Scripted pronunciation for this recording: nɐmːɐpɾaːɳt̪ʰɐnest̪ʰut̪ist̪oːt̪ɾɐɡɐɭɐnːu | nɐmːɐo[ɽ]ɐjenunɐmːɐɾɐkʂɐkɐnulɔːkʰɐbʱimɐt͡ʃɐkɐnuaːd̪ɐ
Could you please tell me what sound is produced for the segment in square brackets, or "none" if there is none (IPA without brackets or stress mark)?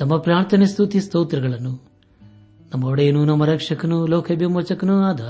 ɽ